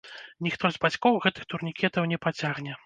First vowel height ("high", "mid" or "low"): high